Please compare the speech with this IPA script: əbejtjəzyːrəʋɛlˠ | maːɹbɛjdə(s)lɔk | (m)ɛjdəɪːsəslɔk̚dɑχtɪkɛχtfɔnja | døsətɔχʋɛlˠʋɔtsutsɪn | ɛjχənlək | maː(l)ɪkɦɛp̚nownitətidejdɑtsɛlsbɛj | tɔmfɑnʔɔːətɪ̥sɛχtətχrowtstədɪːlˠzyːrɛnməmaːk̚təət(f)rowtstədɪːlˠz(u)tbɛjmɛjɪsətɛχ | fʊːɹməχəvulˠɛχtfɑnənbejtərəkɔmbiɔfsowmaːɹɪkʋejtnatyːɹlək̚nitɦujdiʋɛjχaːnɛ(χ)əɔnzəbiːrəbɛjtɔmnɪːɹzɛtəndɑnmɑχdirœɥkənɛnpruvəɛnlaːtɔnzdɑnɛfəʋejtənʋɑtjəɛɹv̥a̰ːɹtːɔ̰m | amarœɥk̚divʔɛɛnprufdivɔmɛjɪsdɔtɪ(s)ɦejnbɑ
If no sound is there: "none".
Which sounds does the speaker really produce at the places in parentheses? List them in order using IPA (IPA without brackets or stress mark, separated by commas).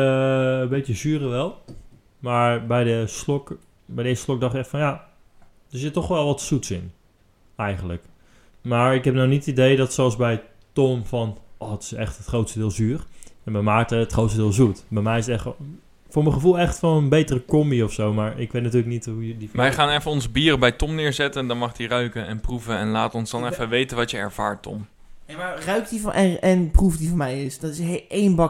s, b, ɹ, χ, u, f, s